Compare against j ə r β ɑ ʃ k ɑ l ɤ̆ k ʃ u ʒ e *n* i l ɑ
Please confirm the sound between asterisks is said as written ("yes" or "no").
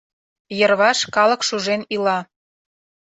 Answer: yes